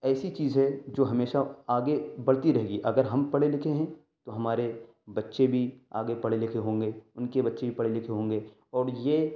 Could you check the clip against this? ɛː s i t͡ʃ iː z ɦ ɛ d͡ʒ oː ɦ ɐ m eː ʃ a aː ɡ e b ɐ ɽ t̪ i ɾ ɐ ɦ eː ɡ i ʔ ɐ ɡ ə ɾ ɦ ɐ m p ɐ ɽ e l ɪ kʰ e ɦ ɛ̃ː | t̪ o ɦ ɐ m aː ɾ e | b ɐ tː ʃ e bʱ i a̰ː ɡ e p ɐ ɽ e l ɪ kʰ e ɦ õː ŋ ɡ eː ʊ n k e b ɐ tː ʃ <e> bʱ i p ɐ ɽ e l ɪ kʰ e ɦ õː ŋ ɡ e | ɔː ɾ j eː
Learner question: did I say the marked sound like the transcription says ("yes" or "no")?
yes